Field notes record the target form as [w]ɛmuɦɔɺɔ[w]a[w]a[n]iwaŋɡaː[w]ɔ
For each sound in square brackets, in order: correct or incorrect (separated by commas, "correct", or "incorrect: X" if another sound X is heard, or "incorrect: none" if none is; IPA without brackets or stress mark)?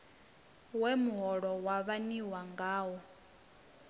correct, correct, incorrect: β, correct, correct